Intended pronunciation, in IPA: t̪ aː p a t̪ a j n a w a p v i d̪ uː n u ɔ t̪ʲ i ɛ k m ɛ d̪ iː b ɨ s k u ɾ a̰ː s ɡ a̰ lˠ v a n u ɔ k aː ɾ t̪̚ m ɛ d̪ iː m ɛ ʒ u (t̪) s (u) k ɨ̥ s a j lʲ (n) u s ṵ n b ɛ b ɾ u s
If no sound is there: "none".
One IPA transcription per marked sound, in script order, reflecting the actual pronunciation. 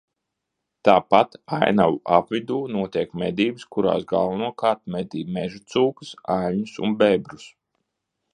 t̪, uː, ɲ

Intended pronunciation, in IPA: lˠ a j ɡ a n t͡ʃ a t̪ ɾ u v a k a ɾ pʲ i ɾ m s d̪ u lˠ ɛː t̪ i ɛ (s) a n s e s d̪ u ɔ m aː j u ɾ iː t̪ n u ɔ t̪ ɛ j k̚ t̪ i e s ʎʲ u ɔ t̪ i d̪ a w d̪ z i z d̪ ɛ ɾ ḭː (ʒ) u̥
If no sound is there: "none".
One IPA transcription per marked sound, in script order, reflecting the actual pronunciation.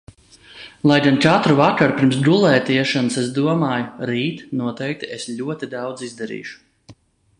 ʃ, ʃ

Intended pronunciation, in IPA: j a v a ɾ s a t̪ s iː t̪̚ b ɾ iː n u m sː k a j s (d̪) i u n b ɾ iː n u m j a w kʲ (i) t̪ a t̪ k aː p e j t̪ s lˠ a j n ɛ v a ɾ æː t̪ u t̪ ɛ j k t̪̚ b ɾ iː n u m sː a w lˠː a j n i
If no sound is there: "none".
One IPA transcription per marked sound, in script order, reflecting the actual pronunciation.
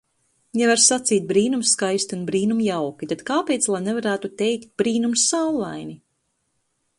t̪, i

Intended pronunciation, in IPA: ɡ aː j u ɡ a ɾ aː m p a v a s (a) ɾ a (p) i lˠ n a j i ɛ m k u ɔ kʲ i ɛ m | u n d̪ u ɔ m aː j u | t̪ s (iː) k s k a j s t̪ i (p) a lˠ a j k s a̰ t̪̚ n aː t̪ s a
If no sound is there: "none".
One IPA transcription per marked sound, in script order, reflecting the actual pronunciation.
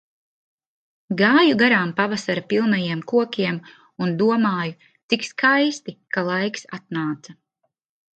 a, p, i, k

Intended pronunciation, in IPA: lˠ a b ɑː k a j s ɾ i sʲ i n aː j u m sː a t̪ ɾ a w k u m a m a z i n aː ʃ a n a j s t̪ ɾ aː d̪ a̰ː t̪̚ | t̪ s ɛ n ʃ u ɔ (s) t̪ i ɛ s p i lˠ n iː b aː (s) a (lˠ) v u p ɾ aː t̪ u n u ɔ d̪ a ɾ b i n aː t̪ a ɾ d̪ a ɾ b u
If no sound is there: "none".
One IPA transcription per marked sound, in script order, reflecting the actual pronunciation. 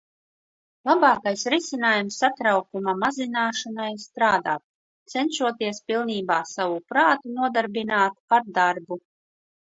none, s, none

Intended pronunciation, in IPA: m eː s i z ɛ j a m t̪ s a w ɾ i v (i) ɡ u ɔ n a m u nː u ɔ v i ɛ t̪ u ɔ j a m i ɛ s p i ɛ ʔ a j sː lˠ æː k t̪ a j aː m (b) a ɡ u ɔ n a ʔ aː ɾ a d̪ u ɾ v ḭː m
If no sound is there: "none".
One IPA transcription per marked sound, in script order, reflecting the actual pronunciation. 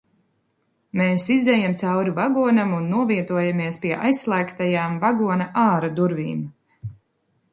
a, v

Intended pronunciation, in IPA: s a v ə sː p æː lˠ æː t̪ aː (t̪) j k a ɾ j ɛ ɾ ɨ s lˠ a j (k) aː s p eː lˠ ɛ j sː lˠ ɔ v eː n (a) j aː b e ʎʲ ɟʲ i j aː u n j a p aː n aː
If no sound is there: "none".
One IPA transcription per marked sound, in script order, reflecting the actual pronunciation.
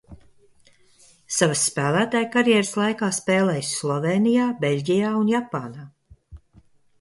none, k, i

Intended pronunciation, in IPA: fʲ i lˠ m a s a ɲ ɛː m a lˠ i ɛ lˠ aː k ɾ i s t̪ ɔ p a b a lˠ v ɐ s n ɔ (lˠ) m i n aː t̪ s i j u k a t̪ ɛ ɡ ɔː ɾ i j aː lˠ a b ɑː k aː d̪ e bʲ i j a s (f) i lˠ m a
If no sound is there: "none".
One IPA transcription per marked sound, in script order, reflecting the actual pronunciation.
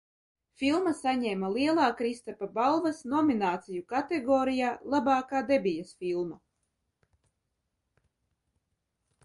none, f

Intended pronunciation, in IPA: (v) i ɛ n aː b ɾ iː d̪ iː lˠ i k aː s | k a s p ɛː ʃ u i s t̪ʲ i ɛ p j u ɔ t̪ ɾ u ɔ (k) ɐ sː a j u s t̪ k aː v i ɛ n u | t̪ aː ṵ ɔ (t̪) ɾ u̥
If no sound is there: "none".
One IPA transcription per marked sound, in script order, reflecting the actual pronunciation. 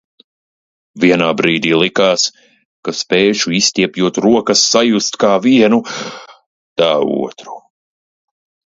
v, k, t̪

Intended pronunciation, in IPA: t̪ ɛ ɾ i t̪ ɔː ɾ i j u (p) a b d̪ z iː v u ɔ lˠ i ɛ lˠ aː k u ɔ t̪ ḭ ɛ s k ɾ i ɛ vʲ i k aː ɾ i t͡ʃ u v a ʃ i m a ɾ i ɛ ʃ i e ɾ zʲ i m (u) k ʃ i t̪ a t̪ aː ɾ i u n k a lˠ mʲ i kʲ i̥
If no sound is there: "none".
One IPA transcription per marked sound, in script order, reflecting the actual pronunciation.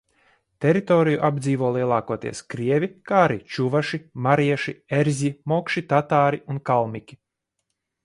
ʔ, ɔ

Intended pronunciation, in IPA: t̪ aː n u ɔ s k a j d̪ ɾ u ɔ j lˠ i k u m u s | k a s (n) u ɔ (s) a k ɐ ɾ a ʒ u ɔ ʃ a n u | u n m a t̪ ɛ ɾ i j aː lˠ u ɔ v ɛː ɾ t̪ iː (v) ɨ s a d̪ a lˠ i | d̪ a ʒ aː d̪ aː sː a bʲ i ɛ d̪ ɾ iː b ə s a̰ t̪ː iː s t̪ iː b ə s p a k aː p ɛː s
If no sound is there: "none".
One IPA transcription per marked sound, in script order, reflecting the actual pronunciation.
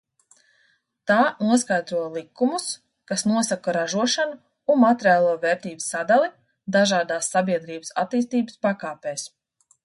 n, s, b

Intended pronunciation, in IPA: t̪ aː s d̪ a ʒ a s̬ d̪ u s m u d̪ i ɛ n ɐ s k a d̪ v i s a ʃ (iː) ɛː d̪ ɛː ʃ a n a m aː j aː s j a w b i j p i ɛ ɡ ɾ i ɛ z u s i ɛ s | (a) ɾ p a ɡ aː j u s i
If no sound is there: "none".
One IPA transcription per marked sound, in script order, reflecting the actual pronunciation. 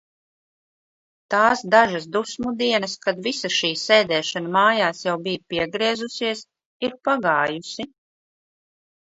iː, i

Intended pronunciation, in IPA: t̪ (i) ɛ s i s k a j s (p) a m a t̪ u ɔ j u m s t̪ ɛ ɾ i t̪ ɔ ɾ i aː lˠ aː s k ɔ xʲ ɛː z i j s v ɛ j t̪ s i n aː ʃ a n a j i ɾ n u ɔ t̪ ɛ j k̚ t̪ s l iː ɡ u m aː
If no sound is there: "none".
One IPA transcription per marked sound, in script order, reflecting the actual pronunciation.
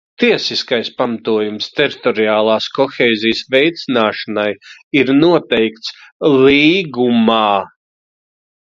i, p

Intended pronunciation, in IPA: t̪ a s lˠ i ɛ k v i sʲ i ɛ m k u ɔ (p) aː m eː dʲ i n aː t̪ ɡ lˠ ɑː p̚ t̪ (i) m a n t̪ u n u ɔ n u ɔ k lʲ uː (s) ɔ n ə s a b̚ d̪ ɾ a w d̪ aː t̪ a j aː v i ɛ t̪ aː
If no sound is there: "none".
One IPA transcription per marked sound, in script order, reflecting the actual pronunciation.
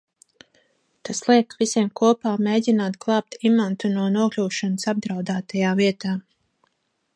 p, i, ʃ

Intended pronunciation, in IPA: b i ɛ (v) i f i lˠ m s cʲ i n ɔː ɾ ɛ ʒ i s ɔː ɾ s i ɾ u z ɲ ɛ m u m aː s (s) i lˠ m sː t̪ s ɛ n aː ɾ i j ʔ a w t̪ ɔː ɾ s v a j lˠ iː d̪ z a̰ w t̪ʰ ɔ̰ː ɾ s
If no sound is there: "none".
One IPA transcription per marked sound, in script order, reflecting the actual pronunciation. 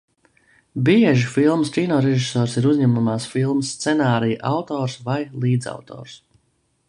ʒ, f

